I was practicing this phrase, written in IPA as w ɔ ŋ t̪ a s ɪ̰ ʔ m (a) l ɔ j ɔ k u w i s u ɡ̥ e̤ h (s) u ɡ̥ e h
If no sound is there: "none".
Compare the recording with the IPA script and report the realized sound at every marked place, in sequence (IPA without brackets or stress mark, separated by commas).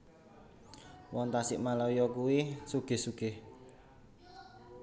a, s